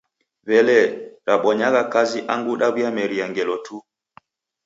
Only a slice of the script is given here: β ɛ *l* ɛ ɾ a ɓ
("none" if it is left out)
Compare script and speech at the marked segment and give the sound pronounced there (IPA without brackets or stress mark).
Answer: l